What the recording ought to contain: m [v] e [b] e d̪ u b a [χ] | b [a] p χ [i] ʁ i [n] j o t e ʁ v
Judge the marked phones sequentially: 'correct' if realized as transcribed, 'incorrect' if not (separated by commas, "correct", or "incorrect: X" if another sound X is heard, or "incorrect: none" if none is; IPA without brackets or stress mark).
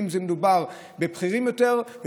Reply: incorrect: z, incorrect: m, incorrect: ʁ, incorrect: e, correct, incorrect: m